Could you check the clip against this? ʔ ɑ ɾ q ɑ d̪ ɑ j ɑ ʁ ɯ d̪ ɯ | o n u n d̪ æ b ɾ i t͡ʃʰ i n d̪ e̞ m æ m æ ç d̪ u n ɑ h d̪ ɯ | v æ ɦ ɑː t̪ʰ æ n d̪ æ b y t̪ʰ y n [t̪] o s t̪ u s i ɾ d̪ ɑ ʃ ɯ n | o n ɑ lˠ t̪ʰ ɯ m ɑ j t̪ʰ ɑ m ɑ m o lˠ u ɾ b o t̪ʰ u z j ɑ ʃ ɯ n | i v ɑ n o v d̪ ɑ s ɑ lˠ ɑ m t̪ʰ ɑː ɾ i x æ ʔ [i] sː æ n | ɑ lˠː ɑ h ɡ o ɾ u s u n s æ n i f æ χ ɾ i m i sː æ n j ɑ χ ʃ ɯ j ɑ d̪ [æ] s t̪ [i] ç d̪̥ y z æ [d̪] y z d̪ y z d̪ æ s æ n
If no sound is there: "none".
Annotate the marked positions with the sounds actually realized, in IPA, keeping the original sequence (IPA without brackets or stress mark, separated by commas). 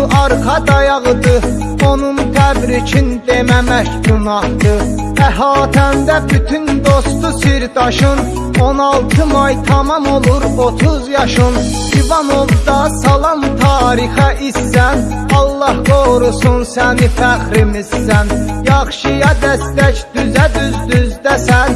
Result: d̪, i, æ, æ, d̪